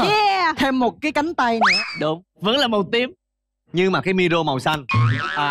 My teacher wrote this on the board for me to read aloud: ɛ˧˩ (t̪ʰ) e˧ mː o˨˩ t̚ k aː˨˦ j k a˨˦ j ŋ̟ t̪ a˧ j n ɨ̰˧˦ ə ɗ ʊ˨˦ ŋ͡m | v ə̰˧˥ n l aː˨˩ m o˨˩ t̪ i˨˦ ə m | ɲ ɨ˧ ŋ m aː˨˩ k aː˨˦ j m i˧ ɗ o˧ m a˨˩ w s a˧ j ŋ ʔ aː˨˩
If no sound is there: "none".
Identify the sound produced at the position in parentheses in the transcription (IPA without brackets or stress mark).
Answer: t̪ʰ